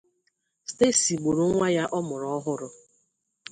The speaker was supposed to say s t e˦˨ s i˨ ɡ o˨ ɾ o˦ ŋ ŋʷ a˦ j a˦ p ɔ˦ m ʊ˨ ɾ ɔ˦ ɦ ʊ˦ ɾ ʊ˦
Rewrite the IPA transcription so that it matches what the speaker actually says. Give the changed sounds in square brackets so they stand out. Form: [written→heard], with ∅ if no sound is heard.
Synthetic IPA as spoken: s t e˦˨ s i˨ [ɡ→ɡ͡b] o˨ ɾ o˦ ŋ ŋʷ a˦ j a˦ [p→ʔ] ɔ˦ m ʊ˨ ɾ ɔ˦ ɦ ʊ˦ ɾ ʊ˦